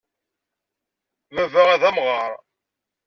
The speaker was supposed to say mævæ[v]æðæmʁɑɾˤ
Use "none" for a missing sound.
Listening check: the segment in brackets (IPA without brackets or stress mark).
ʁ